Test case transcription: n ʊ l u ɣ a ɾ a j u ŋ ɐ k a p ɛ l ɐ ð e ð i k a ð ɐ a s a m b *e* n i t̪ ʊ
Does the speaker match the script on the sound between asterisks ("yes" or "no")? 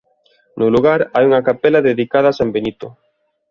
yes